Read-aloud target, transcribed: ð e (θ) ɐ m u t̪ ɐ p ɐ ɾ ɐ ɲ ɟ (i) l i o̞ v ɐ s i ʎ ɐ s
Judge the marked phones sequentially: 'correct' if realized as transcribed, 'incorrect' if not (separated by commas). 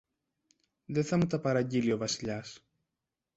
correct, correct